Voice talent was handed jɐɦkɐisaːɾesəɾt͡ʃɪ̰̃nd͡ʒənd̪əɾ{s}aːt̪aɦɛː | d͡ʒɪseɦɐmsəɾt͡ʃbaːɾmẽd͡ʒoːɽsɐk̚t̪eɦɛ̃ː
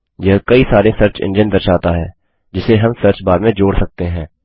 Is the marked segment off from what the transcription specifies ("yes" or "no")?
yes